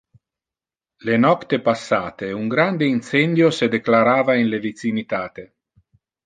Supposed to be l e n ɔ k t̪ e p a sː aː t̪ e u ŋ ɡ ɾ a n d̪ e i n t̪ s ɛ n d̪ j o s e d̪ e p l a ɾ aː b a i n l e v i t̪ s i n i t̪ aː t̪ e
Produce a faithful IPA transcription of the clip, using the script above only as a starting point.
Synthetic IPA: l e n ɔ k t̪ e p a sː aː t̪ e u ŋ ɡ ɾ a n d̪ e i n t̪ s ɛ n d̪ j o s e d̪ e k l a ɾ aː v a i n l e v i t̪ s i n i t̪ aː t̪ e